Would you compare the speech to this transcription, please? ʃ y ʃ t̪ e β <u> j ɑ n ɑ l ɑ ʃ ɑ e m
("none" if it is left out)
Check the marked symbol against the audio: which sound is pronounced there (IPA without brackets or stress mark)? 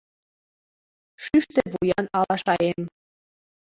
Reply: u